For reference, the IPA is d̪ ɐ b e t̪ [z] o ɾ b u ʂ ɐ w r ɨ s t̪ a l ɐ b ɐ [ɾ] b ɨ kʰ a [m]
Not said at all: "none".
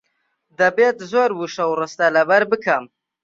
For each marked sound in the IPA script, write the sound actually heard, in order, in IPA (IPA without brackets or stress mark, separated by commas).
z, ɾ, m